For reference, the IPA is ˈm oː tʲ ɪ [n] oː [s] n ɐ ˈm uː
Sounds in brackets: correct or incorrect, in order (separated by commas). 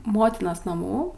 correct, correct